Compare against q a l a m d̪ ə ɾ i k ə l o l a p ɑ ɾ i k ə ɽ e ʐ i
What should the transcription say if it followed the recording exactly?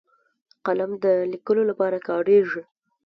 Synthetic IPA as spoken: q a l a m d̪ ə l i k ə l o l a p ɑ ɾ a k ɑ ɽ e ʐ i